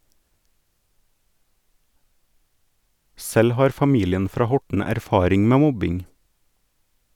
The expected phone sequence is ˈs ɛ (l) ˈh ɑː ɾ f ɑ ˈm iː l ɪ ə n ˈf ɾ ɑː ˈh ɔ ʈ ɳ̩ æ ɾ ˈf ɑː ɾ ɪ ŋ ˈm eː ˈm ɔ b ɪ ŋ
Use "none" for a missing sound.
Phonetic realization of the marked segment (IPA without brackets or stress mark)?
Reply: l